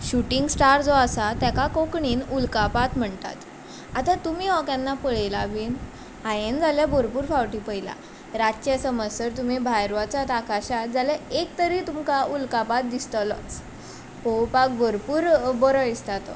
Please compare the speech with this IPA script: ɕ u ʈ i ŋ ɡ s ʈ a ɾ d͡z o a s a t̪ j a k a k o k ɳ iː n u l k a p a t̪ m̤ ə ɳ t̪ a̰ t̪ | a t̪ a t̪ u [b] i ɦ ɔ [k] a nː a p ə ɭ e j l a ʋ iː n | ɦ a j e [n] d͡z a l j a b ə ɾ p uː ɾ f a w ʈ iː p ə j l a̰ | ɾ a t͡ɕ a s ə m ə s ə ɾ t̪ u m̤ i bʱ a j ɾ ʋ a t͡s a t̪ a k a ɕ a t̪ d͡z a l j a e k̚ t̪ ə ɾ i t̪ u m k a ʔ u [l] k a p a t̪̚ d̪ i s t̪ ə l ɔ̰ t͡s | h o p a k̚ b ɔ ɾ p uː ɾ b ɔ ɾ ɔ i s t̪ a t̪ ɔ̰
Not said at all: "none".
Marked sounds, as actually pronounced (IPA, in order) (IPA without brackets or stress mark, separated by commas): m, k, n, l